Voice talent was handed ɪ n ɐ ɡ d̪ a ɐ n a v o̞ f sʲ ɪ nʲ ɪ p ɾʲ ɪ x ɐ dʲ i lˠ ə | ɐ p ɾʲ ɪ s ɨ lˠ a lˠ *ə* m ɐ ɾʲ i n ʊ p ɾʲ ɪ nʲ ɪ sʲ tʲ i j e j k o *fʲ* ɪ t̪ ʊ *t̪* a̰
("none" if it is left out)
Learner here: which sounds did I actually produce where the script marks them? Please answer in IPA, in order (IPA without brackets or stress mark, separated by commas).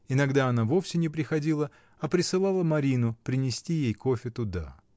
ə, fʲ, d̪